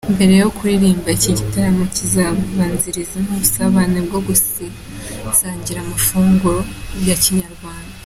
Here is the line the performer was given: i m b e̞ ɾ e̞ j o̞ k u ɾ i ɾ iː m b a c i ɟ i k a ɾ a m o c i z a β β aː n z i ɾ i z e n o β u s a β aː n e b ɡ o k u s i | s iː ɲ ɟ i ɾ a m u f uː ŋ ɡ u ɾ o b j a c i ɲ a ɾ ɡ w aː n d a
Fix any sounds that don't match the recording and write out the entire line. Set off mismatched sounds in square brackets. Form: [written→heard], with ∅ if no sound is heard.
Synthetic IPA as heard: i m b e̞ ɾ e̞ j o̞ k u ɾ i ɾ iː m b a c i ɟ i [k→t] a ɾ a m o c i z a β β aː n z i ɾ i z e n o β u s a β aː n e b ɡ o [k→ɡ] u s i | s [iː→aː] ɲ ɟ i ɾ a m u f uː ŋ ɡ u ɾ o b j a c i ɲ a ɾ ɡ w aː n d a